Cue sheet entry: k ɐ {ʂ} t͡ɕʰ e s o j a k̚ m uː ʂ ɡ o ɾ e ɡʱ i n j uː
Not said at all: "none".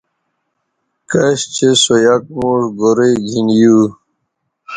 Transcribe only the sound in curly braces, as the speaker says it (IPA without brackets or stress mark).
ɕ